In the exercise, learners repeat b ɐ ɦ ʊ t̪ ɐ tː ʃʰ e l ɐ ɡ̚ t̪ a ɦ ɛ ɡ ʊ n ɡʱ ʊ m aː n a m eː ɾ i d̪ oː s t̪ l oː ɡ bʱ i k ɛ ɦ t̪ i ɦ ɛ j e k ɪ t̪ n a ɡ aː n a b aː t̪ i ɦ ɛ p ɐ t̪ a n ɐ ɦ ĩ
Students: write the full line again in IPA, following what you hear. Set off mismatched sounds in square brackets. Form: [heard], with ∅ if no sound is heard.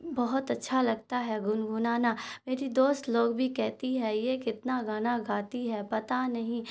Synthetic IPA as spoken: b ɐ ɦ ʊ t̪ ɐ tː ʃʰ [a] l ɐ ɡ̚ t̪ a ɦ ɛ ɡ ʊ n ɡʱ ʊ [n] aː n a m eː ɾ i d̪ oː s t̪ l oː ɡ bʱ i k ɛ ɦ t̪ i ɦ ɛ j e k ɪ t̪ n a ɡ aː n a [ɡ] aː t̪ i ɦ ɛ p ɐ t̪ a n ɐ ɦ ĩ